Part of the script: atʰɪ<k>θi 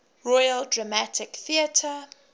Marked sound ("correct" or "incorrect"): correct